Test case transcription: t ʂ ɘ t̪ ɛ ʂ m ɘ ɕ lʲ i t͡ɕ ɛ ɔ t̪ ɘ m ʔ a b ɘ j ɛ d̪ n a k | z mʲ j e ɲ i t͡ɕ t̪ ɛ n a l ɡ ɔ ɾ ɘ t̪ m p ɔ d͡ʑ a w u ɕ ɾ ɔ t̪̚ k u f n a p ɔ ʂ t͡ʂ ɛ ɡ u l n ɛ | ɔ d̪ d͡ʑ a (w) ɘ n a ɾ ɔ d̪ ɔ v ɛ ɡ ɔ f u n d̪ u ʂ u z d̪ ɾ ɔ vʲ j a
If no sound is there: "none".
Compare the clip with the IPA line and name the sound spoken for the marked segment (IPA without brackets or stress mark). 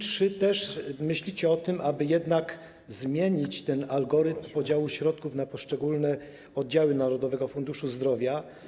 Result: w